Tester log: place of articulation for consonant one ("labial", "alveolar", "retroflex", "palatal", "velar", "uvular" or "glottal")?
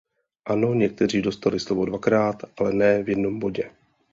glottal